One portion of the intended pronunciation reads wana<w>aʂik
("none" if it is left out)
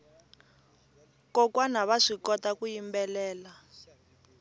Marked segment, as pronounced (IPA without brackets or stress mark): β